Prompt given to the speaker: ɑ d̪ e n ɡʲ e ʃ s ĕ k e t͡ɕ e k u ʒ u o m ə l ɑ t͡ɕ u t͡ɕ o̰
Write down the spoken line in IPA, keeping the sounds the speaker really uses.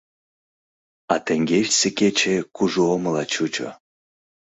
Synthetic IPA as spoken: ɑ t̪ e ŋ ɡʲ e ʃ s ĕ k e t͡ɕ e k u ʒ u o m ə l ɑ t͡ɕ u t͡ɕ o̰